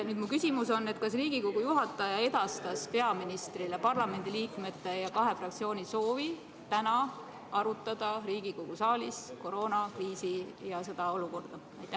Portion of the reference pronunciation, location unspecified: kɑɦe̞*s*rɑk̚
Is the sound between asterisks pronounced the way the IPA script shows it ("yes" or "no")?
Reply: no